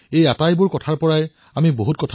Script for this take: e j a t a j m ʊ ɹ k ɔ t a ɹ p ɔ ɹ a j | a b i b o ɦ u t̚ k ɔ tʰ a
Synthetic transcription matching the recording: e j a t a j b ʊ ɹ k ɔ tʰ a ɹ p ɔ ɹ a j | a m i b o ɦ u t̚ k ɔ tʰ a